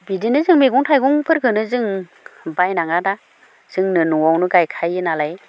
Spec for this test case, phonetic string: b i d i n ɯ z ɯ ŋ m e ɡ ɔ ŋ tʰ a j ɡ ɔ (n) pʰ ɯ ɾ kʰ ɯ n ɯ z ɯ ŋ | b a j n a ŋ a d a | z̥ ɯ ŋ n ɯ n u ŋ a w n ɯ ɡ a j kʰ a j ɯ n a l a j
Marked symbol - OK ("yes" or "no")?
no